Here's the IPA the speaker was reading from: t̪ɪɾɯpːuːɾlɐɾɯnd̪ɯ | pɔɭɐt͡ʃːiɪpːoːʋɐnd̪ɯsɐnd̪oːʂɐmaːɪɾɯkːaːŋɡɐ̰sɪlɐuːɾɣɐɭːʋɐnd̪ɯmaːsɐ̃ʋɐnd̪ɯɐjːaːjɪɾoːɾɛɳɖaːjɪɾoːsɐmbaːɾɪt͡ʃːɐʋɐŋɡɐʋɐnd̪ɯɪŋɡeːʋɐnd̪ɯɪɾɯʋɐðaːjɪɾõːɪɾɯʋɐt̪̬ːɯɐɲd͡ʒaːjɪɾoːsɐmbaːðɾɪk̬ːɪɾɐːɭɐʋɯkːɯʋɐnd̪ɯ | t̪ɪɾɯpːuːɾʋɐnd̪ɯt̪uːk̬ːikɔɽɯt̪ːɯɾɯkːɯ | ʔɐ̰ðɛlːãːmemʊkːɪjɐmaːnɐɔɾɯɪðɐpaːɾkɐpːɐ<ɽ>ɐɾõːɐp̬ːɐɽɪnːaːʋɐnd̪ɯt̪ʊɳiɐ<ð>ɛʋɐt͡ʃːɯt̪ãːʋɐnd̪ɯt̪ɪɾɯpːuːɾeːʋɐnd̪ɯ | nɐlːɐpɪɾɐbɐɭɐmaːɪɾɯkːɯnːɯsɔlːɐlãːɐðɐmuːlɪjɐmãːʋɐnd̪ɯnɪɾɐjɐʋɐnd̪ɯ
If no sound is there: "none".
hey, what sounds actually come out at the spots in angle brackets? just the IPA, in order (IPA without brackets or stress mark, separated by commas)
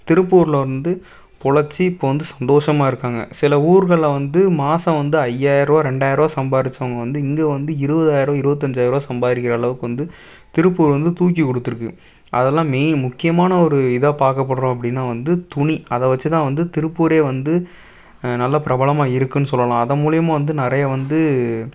ɽ, ð